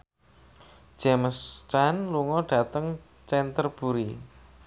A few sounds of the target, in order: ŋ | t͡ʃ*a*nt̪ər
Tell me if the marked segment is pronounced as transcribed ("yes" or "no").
no